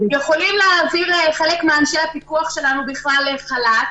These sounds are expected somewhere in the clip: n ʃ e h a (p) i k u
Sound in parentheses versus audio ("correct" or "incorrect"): correct